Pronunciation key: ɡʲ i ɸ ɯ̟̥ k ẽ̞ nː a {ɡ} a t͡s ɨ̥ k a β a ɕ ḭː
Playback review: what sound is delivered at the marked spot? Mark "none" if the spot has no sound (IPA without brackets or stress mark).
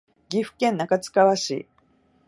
k